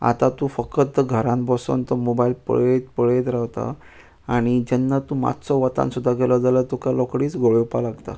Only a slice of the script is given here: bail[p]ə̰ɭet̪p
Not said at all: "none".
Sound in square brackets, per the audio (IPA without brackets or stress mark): p